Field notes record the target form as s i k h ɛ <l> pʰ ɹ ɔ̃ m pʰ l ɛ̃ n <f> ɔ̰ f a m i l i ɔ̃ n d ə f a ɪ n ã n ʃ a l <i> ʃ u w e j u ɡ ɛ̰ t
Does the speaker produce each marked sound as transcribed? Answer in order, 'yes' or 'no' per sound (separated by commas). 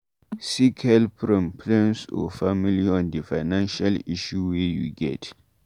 yes, no, yes